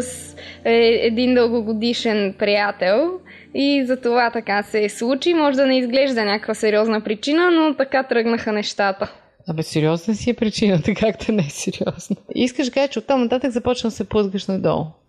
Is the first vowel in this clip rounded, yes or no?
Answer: no